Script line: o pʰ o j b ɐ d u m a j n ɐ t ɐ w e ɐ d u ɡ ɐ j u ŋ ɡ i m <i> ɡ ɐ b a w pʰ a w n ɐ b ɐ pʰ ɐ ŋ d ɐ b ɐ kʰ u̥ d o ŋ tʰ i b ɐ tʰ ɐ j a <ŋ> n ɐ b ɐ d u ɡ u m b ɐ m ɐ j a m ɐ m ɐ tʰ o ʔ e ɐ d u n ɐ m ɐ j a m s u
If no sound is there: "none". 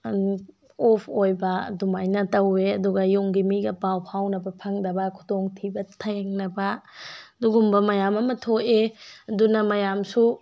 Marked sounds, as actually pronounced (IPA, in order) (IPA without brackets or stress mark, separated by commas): i, ŋ